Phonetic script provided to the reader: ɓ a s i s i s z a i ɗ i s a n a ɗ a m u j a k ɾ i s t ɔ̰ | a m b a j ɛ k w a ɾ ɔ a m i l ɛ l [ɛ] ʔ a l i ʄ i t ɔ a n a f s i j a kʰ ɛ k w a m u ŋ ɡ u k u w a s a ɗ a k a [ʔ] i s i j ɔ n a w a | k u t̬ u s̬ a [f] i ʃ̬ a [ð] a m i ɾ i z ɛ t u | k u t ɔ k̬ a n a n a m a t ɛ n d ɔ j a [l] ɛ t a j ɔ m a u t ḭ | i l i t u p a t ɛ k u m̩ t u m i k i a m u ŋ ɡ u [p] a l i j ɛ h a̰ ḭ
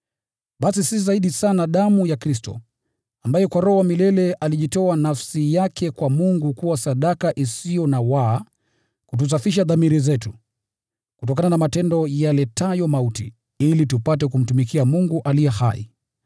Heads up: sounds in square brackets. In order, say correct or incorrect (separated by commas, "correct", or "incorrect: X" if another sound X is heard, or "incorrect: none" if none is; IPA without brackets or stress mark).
correct, correct, correct, correct, correct, incorrect: ʔ